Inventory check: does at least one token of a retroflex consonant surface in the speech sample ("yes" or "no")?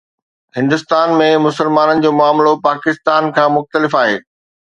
no